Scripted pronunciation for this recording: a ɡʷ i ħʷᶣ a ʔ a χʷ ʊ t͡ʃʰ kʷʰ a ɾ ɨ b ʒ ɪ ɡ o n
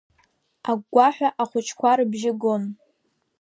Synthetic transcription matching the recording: a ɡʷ a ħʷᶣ a ʔ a χʷ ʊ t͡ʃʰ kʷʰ a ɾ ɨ b ʒ ɪ ɡ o n